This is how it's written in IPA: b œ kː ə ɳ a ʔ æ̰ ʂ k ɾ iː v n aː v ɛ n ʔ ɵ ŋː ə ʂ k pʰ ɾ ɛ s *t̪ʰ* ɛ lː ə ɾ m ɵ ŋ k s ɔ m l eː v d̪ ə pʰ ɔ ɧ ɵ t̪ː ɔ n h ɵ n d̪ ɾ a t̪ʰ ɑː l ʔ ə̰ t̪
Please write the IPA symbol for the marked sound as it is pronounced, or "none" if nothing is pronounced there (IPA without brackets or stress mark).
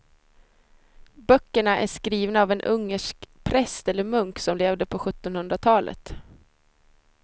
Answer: t̪